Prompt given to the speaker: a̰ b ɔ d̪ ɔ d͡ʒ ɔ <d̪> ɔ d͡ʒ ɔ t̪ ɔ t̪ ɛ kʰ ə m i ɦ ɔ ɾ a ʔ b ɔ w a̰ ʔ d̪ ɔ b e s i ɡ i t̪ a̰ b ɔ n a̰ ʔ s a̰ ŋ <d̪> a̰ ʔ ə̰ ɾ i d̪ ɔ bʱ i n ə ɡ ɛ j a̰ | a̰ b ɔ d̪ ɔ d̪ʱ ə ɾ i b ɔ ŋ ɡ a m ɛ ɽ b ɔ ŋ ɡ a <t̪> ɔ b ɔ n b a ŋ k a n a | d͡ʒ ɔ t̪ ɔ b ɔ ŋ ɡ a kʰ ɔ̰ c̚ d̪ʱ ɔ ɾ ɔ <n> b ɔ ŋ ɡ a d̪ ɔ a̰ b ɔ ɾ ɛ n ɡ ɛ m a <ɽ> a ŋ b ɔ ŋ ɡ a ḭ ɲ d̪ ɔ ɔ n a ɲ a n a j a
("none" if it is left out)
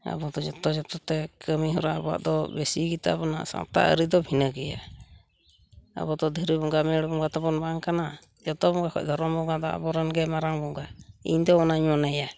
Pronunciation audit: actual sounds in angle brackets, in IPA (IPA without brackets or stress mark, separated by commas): t̪, t̪, t̪, m, ɾ